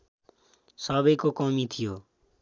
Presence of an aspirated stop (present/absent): present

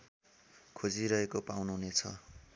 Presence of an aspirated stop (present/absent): present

